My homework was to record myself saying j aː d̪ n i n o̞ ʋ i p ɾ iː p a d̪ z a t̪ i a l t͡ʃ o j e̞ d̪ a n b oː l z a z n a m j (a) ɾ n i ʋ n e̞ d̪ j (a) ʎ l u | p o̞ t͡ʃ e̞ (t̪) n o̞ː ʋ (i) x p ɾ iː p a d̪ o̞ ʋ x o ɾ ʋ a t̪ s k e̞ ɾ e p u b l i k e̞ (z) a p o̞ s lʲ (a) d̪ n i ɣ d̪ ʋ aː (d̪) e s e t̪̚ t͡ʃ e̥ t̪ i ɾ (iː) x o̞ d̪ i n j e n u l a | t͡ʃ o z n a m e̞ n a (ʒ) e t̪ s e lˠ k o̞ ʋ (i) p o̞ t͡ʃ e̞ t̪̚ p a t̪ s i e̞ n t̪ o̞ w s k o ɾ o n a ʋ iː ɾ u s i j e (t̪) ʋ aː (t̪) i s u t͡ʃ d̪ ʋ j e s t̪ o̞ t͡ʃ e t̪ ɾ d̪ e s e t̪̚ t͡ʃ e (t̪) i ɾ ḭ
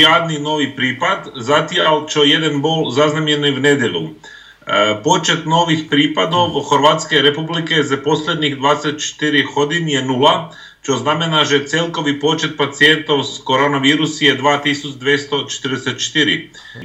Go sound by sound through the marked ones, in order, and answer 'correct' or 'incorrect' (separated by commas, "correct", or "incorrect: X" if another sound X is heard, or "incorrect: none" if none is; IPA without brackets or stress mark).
incorrect: e, incorrect: e, correct, correct, correct, incorrect: e, correct, incorrect: i, correct, correct, incorrect: d̪, correct, correct